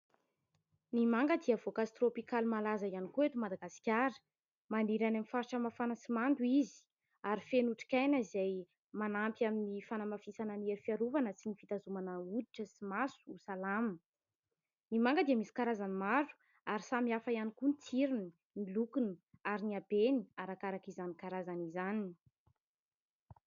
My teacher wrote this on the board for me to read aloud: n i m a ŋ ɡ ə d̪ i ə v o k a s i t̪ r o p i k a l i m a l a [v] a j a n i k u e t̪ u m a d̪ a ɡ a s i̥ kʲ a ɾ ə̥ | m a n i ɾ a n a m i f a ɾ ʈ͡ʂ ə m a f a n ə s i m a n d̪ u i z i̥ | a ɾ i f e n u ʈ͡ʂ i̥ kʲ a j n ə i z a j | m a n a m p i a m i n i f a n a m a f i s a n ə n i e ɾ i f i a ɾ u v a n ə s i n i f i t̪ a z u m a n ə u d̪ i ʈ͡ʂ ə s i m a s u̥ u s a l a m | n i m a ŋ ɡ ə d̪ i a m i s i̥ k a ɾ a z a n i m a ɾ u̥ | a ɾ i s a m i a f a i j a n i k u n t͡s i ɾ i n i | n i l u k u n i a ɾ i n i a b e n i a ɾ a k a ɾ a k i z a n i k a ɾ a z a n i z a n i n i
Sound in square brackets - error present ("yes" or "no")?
yes